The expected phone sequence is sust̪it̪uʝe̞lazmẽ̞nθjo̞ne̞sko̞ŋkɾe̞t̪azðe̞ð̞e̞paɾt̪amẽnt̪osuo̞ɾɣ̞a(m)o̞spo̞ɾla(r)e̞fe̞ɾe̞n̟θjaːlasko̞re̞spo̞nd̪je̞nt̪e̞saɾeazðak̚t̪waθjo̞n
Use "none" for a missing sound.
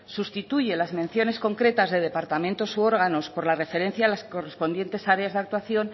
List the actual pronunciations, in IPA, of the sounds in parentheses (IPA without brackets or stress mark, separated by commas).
n, r